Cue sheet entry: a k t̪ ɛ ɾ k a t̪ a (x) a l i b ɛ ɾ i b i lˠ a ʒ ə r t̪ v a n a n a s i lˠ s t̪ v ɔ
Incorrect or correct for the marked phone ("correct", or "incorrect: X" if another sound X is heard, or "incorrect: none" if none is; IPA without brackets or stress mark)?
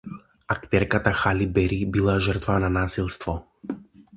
correct